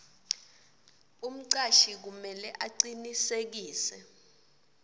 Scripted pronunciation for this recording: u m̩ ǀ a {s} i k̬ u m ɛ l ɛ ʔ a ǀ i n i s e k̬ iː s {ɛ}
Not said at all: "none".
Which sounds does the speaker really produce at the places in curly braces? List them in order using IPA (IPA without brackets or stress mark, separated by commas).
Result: ʃ, ɛ